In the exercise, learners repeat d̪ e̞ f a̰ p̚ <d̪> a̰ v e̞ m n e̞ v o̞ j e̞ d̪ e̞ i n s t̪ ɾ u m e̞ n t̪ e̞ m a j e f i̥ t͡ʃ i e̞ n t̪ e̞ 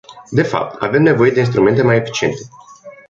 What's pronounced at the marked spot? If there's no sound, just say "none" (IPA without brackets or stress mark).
t̪